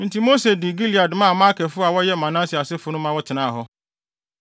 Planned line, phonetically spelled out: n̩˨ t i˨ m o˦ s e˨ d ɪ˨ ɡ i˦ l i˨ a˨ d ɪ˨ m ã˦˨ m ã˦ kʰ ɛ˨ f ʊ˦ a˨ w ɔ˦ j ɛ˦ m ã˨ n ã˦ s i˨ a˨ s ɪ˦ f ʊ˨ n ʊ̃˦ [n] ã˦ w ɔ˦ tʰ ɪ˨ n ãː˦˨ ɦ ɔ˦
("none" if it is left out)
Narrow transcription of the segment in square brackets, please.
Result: m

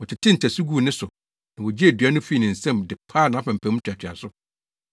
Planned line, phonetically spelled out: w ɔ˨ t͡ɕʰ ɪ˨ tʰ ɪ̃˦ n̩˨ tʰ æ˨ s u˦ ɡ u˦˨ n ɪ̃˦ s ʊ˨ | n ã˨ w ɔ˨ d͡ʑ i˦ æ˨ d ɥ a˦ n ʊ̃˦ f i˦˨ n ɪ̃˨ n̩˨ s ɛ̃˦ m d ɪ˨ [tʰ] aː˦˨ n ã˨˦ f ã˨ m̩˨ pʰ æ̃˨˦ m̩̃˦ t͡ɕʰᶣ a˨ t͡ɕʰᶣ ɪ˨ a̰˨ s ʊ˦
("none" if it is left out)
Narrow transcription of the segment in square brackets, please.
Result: pʰ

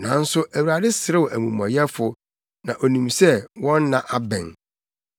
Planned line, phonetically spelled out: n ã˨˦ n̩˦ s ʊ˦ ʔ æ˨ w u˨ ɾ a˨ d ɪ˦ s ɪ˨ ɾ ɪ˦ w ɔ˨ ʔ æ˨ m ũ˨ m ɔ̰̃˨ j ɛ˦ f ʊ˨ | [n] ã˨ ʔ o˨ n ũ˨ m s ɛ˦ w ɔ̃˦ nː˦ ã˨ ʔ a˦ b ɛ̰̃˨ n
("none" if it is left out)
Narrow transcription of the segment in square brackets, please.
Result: n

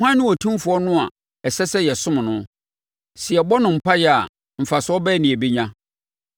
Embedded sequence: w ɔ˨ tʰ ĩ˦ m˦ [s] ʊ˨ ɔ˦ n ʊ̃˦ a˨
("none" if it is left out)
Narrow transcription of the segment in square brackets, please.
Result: f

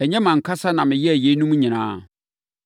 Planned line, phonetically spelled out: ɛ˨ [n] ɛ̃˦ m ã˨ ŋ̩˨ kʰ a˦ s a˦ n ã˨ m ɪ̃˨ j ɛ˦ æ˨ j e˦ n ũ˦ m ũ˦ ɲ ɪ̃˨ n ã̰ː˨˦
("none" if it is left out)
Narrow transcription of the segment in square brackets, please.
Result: ɲ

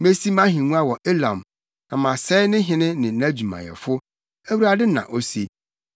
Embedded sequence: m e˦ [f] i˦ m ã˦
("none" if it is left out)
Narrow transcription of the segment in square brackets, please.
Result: s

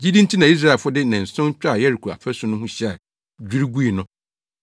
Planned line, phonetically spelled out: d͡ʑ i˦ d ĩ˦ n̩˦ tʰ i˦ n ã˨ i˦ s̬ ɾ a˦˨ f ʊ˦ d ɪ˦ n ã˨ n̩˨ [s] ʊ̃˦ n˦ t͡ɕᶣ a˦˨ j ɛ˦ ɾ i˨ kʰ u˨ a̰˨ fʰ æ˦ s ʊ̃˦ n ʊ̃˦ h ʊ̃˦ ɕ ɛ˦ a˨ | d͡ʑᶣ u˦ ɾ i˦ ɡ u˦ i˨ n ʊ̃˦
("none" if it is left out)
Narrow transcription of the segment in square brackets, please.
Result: s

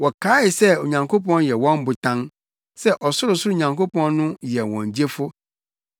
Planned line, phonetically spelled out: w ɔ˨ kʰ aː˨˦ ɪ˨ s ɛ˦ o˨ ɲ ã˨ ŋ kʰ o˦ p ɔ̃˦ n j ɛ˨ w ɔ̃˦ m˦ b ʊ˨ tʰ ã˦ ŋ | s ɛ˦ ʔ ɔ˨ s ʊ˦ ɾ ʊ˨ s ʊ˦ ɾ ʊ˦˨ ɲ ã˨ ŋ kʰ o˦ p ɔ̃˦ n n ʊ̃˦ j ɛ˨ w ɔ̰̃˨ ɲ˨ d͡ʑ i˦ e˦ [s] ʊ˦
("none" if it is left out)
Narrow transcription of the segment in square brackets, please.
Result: f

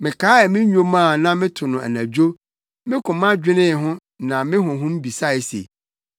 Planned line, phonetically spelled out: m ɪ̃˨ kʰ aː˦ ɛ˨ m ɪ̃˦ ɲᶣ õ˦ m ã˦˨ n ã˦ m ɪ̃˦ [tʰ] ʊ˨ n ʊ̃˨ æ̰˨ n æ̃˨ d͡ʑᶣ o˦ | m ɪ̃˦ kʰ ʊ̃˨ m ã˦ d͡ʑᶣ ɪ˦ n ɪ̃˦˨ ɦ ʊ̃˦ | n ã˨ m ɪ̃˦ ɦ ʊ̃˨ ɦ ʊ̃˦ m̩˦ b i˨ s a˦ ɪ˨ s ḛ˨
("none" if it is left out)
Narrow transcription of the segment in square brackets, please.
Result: tʰ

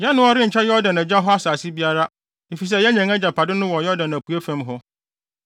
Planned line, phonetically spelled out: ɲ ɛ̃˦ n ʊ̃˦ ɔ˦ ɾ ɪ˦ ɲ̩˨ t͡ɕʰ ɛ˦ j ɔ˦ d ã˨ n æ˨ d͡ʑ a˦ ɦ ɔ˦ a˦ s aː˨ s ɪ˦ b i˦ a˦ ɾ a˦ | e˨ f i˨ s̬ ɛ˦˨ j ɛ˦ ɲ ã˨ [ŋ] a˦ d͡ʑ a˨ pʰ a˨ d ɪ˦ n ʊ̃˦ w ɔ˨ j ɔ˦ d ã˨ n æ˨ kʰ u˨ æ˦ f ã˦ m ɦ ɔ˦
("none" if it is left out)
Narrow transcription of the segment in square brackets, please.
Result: ŋ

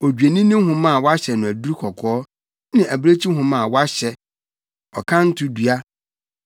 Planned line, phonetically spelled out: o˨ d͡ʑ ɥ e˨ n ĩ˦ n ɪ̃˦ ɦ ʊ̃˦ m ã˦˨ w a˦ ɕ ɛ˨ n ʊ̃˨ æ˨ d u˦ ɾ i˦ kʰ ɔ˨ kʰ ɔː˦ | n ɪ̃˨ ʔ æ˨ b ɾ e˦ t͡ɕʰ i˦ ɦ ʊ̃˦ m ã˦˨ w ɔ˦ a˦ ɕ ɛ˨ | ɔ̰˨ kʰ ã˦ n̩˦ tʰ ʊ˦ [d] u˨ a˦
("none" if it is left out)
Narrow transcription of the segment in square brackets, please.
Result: d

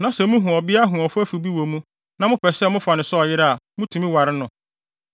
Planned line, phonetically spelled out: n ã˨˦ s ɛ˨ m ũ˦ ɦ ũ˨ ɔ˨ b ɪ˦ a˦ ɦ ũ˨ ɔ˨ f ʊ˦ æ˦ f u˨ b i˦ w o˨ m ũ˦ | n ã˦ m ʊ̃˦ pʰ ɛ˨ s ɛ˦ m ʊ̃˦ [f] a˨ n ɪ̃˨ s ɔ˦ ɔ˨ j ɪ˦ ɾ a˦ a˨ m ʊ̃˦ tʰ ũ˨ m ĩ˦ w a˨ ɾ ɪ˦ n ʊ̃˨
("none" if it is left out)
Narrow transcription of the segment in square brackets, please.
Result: f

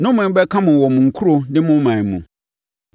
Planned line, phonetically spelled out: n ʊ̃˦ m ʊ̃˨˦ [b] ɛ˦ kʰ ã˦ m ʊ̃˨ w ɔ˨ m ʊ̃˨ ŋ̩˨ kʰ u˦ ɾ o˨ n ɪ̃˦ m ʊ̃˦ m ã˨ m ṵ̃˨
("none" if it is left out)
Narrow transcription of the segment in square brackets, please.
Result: b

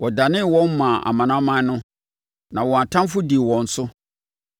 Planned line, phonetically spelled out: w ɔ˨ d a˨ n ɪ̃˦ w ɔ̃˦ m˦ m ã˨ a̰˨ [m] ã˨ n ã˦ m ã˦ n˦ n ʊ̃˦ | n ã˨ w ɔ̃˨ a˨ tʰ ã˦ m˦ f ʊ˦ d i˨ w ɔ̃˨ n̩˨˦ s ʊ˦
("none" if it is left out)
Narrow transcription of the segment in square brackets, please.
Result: m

